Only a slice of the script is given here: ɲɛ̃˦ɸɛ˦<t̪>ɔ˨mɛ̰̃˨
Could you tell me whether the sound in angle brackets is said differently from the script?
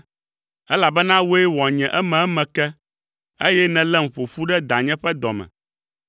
yes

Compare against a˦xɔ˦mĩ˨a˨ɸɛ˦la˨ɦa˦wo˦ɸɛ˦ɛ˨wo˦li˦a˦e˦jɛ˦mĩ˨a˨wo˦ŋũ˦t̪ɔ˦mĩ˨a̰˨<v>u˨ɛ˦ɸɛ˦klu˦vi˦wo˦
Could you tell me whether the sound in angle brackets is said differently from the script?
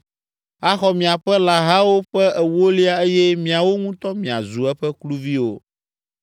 yes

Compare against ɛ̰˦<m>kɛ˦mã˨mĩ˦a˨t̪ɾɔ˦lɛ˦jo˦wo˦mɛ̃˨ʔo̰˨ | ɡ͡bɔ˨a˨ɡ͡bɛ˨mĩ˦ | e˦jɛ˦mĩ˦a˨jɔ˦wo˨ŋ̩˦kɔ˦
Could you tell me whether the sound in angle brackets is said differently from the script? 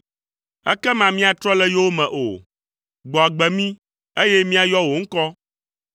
yes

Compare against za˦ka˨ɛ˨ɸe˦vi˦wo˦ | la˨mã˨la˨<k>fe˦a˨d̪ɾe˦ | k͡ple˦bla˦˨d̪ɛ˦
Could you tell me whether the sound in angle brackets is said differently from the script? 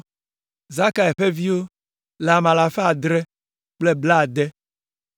yes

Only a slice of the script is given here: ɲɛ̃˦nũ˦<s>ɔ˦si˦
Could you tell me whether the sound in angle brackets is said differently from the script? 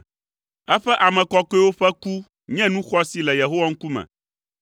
yes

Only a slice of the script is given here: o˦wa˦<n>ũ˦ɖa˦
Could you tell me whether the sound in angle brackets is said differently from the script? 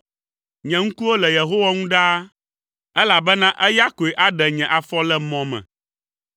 yes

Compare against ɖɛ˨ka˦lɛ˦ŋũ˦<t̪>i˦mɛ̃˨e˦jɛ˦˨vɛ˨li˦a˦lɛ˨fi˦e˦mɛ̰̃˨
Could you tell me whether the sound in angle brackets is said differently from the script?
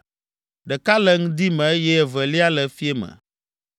yes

